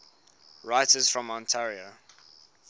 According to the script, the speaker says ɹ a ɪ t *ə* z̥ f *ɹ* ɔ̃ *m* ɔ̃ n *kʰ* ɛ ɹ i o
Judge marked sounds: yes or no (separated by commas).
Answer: yes, yes, yes, no